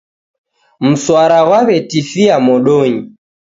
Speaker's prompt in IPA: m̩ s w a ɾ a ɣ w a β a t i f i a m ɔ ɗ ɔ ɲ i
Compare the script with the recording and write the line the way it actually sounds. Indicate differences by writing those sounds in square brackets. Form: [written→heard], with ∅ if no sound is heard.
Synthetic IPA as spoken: m̩ s w a ɾ a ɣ w a β [a→ɛ] t i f i a m ɔ ɗ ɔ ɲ i